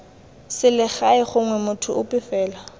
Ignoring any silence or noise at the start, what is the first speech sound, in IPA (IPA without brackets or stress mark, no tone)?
s